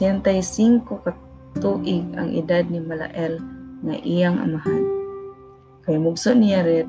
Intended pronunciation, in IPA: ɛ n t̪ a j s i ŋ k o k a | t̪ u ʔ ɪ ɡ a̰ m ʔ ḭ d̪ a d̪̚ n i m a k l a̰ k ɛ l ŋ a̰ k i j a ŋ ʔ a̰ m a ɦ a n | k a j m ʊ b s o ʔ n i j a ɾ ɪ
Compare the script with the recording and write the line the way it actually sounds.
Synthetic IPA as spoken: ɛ n t̪ a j s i ŋ k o k a | t̪ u ʔ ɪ ɡ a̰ ŋ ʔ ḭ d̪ a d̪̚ n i m a l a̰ ʔ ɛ l ŋ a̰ ʔ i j a ŋ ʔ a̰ m a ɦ a n | k a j m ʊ ɡ s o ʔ n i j a ɾ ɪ